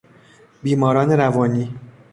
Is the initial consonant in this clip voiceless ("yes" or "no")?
no